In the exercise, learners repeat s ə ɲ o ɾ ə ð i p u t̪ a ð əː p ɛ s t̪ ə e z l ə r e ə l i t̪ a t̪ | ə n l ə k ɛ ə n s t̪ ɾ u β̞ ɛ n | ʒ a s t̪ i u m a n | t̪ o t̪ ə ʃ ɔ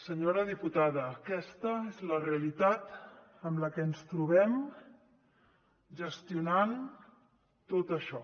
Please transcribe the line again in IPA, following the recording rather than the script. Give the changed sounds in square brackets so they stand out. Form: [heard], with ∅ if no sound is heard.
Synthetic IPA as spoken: s ə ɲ o ɾ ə ð i p u t̪ a ð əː [k] ɛ s t̪ ə e z l ə r e ə l i t̪ a t̪ | ə [m] l ə k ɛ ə n s t̪ ɾ u β̞ ɛ [m] | ʒ [ə] s t̪ i u [n] a n | t̪ o t̪ ə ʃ ɔ